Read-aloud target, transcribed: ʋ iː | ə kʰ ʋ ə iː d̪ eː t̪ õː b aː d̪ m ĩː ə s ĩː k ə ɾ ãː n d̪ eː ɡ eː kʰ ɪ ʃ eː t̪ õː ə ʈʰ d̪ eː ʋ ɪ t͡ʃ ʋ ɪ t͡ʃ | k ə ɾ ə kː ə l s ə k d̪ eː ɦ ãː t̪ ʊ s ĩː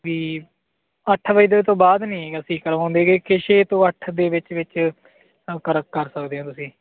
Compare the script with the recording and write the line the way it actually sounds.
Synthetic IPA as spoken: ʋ iː | ə ʈʰ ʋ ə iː d̪ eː t̪ õː b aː d̪ n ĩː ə s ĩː k ə ɾ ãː n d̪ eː ɡ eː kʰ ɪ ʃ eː t̪ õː ə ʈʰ d̪ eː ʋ ɪ t͡ʃ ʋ ɪ t͡ʃ | k ə ɾ ə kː ə ɾ s ə k d̪ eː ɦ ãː t̪ ʊ s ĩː

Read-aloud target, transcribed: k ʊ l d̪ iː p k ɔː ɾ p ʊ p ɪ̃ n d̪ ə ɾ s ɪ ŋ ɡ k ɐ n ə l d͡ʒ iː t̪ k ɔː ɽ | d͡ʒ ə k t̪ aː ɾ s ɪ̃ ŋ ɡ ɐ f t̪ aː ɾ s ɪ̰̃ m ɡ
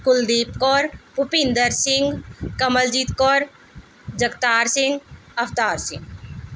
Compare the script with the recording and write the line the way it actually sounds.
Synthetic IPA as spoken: k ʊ l d̪ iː p k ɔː ɾ p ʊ p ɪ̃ n d̪ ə ɾ s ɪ ŋ ɡ k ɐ m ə l d͡ʒ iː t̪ k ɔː ɾ | d͡ʒ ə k t̪ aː ɾ s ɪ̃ ŋ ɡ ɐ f t̪ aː ɾ s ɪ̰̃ ŋ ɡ

